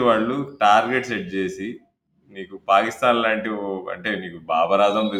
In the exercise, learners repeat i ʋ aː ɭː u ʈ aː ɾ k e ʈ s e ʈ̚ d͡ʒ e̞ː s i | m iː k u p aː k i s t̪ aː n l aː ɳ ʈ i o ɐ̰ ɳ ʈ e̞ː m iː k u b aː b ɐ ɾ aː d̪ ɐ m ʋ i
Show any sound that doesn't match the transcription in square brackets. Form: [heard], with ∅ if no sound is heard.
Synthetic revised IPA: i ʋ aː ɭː u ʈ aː ɾ [ɡ] e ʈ s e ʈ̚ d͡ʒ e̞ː s i | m iː k u p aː k i s t̪ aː n l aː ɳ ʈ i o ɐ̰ ɳ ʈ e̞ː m iː k u b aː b ɐ ɾ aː d̪ ɐ m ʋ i